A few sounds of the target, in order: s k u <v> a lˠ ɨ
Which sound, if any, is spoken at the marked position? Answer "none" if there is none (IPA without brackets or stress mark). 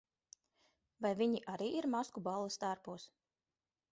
b